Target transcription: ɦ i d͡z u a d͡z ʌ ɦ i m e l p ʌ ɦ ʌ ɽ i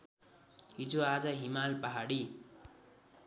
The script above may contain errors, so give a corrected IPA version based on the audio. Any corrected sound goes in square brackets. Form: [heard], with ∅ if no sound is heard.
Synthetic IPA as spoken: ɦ i d͡z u a d͡z ʌ ɦ i m [a] l p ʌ ɦ [a] ɽ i